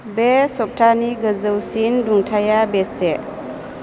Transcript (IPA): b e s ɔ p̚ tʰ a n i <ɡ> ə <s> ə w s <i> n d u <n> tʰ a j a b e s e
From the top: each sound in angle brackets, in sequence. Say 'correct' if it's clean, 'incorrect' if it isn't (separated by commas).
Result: correct, incorrect, correct, incorrect